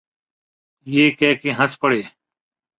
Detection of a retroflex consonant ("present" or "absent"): present